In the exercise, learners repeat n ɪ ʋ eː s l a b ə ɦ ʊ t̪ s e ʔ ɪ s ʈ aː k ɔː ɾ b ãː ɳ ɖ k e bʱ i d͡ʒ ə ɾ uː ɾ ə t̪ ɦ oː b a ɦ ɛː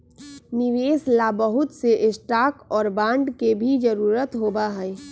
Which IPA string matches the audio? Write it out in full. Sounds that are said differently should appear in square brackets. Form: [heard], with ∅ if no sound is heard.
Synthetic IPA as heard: n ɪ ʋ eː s l a b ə ɦ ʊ t̪ s e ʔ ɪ s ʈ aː k ɔː ɾ b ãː ɳ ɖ k e bʱ i d͡ʒ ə ɾ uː ɾ ə t̪ ɦ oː b a ɦ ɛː